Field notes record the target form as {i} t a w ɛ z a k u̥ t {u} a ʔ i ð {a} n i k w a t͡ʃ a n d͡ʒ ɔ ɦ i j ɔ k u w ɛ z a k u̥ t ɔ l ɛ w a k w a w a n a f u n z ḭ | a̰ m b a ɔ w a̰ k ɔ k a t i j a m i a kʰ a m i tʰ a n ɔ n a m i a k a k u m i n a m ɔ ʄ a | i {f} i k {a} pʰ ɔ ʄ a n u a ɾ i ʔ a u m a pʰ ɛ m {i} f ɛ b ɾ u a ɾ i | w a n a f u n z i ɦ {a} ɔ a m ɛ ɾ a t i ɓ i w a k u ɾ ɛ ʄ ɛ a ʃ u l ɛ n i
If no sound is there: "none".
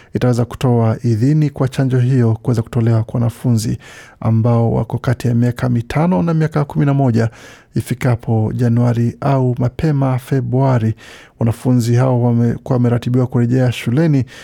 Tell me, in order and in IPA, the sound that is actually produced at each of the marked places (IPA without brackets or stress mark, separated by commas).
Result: i, ɔ, i, f, a, a, a